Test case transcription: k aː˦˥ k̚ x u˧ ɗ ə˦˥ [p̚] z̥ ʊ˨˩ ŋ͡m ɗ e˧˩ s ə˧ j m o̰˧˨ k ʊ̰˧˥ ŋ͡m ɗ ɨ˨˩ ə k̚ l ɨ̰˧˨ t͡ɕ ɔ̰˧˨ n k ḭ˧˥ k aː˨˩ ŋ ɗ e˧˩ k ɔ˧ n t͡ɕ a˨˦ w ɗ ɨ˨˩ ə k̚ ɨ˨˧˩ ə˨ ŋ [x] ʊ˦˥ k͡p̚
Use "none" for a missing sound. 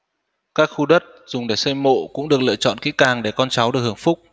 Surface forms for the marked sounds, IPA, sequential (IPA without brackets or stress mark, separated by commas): t̚, f